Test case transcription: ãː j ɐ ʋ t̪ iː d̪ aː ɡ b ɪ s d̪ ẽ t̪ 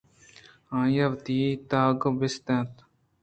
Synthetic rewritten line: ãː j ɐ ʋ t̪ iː t̪ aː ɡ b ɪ s t̪ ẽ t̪